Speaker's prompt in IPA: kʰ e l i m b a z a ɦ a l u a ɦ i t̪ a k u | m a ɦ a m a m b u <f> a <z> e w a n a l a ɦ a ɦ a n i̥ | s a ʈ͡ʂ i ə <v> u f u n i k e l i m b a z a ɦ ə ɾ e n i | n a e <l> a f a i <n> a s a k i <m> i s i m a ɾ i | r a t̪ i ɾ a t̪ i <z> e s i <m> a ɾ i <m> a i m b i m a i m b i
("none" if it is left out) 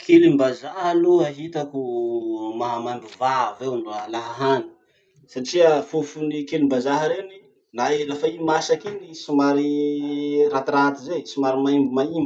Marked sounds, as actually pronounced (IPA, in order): v, v, f, l, m, n, z, m, m

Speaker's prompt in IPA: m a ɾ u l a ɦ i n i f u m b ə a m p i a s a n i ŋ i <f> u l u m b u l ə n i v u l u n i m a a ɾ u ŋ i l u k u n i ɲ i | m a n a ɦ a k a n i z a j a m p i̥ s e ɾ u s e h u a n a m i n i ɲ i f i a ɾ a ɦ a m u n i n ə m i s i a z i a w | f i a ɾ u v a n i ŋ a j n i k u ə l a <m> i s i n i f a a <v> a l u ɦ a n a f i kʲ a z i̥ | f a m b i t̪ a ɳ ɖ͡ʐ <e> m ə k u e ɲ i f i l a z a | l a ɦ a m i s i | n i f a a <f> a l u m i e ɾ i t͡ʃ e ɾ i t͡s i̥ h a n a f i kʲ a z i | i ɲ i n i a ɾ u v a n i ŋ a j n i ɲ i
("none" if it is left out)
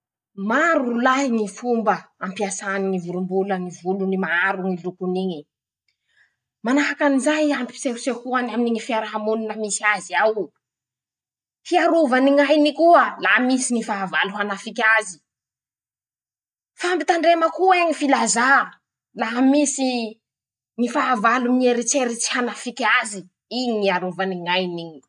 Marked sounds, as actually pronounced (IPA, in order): v, m, v, e, v

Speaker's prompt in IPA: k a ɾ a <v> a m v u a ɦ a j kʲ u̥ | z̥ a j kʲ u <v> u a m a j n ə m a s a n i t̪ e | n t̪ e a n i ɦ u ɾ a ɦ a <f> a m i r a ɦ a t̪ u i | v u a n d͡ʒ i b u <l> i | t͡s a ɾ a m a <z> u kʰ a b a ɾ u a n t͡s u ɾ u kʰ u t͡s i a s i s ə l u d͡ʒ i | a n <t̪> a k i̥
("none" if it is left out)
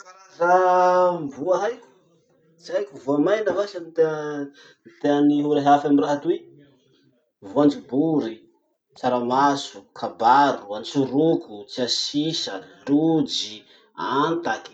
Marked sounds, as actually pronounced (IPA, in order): z, v, f, ɾ, s, t̪

